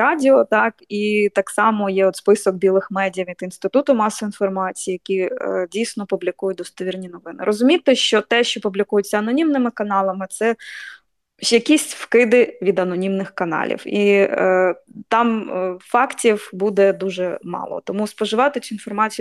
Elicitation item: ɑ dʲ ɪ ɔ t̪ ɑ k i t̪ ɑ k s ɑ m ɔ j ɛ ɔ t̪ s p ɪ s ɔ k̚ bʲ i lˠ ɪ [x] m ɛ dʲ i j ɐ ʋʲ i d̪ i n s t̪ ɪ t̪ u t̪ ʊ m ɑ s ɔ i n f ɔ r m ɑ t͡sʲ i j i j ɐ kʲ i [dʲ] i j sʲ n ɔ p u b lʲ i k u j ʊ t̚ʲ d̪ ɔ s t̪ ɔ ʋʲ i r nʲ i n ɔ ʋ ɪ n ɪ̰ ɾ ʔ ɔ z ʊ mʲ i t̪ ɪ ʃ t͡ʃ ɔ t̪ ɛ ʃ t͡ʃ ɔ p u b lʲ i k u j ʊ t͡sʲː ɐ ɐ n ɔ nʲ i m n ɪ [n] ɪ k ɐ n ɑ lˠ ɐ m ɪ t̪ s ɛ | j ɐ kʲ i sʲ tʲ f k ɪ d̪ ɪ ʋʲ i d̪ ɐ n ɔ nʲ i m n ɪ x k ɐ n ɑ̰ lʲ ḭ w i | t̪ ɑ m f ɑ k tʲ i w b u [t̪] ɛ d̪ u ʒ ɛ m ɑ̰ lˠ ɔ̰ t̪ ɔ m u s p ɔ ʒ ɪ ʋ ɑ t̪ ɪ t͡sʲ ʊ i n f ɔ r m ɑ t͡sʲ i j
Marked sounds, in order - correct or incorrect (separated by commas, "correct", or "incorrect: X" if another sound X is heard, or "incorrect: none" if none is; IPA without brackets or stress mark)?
correct, correct, incorrect: m, incorrect: d̪